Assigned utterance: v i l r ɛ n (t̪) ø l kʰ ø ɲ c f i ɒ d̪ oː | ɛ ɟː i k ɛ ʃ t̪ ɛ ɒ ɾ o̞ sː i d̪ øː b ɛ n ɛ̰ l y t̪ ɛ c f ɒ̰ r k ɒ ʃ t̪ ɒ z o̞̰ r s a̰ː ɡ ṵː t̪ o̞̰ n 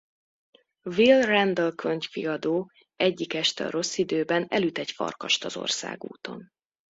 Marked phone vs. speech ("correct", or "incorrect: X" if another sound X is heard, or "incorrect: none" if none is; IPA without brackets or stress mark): incorrect: d̪